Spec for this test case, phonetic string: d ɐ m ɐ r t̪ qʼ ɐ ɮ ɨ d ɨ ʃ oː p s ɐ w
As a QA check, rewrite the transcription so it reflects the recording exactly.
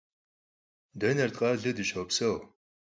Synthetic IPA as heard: d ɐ n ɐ r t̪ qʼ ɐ ɮ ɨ d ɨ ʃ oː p s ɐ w